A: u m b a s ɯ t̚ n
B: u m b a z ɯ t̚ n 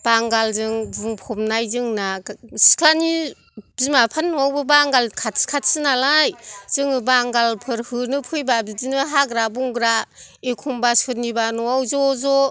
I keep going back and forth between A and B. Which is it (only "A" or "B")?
A